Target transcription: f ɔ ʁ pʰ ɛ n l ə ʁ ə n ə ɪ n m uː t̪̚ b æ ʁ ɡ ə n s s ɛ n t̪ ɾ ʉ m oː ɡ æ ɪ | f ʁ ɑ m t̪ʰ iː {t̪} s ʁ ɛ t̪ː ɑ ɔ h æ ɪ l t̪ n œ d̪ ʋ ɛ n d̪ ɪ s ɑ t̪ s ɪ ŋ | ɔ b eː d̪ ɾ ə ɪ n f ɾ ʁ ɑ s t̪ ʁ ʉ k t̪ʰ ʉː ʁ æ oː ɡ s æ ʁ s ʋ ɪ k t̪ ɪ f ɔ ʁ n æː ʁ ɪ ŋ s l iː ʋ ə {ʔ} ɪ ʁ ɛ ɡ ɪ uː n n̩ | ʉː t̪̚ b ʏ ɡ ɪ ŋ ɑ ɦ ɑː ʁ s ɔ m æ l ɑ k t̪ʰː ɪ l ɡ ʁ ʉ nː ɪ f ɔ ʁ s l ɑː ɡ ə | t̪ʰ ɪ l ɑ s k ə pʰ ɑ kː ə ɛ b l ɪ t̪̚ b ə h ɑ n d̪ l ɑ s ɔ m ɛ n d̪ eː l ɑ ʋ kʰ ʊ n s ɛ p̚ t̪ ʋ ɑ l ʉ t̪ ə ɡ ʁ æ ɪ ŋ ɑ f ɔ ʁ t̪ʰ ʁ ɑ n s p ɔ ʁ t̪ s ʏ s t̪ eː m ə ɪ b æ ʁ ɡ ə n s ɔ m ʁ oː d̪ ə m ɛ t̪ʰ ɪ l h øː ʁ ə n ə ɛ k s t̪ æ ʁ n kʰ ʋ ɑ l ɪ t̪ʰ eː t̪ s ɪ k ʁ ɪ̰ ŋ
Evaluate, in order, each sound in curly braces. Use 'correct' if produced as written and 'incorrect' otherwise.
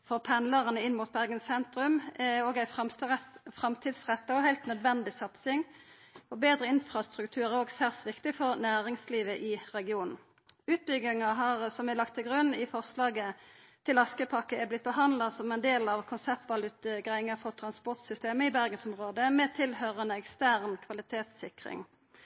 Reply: incorrect, correct

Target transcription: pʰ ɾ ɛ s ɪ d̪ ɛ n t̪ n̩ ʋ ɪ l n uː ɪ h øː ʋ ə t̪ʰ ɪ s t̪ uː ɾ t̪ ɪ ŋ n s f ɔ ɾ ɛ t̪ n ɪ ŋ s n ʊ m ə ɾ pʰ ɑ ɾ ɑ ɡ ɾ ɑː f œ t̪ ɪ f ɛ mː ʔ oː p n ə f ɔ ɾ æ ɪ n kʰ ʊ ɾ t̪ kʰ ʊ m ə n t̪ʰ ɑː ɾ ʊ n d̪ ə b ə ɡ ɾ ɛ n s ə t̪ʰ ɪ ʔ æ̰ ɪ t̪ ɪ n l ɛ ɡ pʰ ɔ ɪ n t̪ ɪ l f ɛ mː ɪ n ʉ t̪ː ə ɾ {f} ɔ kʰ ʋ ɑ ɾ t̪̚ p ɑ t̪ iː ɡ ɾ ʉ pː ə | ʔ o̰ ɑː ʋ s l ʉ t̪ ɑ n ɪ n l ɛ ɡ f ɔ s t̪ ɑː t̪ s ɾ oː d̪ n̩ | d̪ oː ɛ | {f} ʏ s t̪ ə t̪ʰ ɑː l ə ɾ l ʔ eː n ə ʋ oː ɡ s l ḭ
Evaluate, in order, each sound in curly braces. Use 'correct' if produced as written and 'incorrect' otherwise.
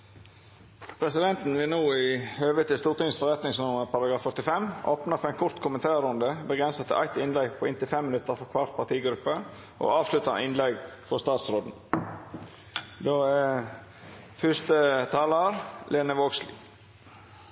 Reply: correct, correct

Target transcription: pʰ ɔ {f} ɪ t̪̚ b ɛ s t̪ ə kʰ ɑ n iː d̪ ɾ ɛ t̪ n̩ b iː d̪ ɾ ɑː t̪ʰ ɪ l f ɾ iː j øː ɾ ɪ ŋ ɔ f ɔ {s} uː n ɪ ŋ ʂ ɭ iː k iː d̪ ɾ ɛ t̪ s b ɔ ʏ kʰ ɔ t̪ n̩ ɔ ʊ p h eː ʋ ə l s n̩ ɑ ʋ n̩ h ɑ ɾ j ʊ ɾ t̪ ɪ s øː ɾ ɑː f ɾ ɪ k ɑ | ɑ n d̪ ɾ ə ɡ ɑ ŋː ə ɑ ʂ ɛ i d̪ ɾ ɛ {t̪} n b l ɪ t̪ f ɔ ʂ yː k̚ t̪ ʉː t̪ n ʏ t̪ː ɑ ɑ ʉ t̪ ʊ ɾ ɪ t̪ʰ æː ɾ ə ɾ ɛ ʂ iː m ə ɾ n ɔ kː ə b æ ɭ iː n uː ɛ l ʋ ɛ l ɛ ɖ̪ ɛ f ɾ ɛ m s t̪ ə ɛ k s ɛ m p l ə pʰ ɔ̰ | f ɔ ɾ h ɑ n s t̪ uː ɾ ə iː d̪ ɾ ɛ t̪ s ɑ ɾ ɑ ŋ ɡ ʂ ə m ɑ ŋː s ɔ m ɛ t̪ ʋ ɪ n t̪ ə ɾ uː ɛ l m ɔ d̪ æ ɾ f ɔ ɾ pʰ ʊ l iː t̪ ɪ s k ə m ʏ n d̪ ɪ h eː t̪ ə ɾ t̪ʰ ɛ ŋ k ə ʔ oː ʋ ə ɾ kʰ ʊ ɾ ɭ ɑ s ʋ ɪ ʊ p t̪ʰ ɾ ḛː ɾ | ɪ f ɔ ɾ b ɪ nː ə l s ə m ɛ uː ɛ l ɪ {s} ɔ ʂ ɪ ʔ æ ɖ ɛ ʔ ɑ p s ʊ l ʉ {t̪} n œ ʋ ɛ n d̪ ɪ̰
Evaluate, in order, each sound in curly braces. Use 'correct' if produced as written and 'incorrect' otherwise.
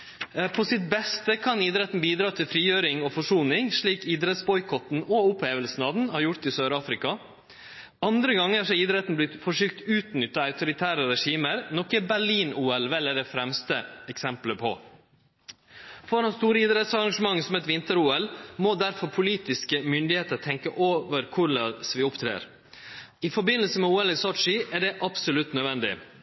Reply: incorrect, incorrect, correct, correct, correct

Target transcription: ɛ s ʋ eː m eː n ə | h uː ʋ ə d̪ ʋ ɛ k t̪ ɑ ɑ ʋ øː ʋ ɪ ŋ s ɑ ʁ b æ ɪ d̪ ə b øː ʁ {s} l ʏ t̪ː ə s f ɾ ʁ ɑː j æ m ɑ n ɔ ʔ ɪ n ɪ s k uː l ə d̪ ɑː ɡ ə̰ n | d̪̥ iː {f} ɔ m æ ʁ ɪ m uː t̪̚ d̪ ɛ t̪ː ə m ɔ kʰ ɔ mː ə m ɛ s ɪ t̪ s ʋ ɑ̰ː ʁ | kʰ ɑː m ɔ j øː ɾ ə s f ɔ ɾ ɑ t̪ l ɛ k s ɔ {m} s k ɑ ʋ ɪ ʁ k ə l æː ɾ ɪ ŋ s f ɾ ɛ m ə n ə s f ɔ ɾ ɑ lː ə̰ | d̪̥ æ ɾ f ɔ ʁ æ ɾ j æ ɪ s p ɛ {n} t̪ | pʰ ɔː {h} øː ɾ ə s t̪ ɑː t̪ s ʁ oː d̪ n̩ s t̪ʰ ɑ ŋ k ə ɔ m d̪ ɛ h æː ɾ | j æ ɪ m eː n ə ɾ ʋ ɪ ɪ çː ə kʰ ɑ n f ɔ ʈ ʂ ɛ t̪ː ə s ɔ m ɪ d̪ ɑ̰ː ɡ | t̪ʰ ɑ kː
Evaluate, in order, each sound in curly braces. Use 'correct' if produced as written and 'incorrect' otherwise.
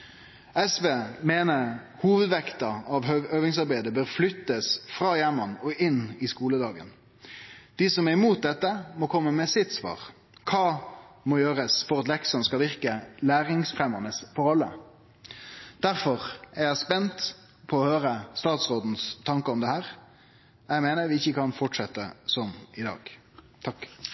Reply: incorrect, incorrect, incorrect, correct, correct

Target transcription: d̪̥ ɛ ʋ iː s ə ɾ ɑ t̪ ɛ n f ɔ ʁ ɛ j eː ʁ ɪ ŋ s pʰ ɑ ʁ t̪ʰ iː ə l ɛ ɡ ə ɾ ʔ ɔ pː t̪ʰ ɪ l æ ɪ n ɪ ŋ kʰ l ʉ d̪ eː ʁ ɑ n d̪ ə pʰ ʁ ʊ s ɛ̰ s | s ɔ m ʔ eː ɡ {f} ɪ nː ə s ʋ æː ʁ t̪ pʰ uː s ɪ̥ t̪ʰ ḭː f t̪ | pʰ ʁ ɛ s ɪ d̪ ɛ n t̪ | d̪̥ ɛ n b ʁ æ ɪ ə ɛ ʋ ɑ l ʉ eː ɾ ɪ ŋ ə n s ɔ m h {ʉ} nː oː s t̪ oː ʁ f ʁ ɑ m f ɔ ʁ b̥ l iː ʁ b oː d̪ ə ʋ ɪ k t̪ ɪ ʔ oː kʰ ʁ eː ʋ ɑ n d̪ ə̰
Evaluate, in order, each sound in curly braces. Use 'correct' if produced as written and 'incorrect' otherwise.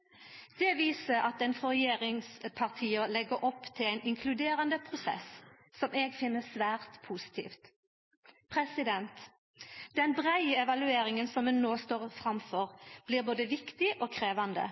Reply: correct, correct

